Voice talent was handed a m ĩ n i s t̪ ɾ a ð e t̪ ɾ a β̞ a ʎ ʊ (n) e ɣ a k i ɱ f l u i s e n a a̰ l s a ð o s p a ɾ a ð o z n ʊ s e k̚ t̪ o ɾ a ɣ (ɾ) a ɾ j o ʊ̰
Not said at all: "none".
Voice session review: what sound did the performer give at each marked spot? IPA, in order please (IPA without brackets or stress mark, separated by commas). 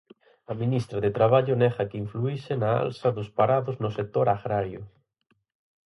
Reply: n, ɾ